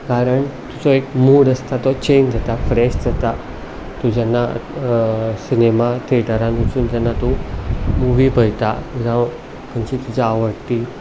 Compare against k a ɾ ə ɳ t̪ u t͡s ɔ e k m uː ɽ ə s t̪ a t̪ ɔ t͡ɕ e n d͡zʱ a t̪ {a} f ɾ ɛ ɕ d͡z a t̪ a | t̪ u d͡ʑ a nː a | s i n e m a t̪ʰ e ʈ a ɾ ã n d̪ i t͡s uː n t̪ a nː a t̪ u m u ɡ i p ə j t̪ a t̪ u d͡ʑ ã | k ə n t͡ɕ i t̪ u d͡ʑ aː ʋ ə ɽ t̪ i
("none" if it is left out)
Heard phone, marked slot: a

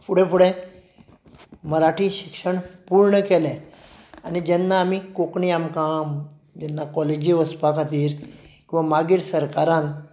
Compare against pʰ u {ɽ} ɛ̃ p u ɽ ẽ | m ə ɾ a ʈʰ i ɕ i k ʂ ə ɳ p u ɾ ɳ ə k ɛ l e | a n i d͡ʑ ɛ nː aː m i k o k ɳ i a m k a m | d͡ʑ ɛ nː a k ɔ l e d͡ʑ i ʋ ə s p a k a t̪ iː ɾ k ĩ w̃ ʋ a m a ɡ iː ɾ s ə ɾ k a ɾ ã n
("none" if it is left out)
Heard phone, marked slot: ɽ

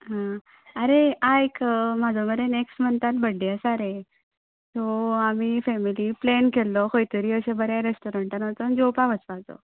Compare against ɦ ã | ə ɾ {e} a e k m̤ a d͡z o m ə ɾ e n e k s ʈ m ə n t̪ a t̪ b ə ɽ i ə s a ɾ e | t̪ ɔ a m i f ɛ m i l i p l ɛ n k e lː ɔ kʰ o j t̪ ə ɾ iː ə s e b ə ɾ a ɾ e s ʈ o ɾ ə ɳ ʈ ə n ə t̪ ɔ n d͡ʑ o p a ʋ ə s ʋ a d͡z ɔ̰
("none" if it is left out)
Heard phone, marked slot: e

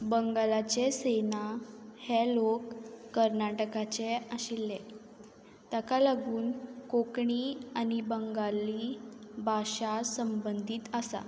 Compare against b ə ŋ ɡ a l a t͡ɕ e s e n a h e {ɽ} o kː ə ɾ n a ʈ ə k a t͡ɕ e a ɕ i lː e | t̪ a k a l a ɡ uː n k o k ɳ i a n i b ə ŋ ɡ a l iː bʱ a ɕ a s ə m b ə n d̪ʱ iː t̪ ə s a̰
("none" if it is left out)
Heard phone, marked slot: l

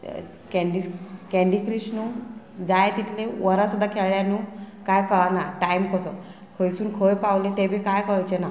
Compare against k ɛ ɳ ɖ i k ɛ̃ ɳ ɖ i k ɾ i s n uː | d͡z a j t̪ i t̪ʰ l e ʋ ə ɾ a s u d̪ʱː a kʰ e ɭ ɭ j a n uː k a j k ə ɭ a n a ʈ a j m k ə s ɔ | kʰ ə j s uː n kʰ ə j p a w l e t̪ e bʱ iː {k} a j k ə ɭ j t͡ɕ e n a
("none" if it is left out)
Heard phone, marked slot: k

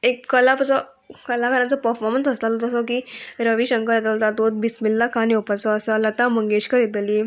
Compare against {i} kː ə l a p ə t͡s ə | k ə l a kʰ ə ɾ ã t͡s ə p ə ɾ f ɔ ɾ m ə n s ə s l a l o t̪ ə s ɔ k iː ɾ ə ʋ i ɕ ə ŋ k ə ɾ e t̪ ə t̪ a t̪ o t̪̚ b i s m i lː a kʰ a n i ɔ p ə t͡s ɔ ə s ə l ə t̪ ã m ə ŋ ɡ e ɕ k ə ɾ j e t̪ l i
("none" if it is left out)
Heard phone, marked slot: e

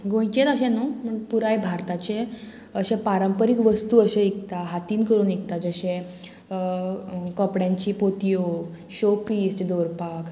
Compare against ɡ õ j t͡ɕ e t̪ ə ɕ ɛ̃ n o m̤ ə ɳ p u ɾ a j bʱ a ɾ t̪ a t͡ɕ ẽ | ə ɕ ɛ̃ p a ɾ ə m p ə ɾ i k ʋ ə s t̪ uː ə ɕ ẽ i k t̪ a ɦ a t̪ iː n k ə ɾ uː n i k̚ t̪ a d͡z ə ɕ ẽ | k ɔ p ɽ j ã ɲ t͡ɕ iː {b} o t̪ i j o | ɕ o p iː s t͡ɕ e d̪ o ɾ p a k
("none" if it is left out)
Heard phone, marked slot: p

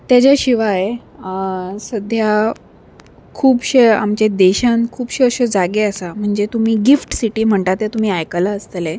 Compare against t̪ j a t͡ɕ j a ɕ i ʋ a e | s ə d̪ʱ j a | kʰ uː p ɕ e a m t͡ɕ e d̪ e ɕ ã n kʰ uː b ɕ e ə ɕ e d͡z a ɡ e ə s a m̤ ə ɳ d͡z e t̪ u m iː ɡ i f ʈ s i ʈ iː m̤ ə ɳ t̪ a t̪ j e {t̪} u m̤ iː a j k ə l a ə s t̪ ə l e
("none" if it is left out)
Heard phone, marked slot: t̪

